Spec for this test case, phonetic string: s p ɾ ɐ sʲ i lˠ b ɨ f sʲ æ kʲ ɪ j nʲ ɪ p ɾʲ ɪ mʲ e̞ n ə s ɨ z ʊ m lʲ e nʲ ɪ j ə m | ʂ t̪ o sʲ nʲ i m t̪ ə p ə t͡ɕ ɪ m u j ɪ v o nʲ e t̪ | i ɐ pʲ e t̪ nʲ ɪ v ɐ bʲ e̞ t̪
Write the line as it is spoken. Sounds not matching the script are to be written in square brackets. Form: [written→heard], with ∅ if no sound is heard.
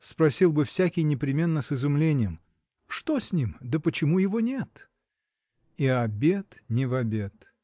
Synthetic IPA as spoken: s p ɾ ɐ sʲ i lˠ b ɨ f sʲ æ kʲ ɪ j nʲ ɪ p ɾʲ ɪ mʲ e̞ [n→nː] ə s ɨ z ʊ m lʲ e nʲ ɪ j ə m | ʂ t̪ o sʲ nʲ i m [t̪→d̪] ə p ə t͡ɕ ɪ m u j ɪ v o nʲ e t̪ | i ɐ [pʲ→bʲ] e t̪ nʲ ɪ v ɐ bʲ e̞ t̪